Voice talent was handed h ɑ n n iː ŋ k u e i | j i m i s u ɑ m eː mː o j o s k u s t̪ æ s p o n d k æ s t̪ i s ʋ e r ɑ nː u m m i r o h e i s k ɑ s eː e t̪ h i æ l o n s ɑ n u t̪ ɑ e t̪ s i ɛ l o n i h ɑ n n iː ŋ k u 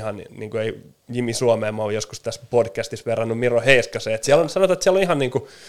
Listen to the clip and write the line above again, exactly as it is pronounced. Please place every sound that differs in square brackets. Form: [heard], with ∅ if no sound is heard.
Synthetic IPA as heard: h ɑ n n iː ŋ k u e i | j i m i s u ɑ m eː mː o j o s k u s t̪ æ s p o [∅] d k æ s t̪ i s ʋ e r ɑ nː u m m i r o h e i s k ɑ s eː e t̪ [s] i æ l o n s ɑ n [o] t̪ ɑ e t̪ s i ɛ l o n i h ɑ n n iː ŋ k u